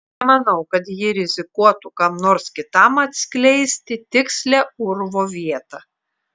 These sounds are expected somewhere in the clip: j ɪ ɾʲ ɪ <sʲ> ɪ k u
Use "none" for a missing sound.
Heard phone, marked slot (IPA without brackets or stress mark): zʲ